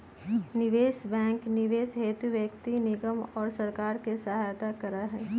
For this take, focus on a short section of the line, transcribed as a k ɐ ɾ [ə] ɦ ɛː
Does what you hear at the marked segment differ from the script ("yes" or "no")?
yes